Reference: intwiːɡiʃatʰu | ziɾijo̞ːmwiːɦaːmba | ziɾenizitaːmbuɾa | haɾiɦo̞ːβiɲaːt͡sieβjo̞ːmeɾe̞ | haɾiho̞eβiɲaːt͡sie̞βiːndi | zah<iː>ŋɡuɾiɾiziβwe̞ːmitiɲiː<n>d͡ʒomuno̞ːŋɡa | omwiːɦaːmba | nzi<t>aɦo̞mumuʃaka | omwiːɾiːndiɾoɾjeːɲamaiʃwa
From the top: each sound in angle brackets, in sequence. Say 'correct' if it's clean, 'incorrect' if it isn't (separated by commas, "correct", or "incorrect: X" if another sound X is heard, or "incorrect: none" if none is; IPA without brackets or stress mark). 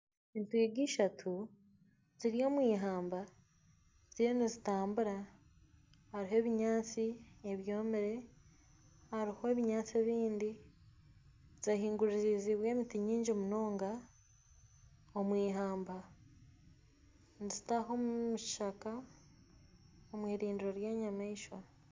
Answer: correct, incorrect: ɲ, correct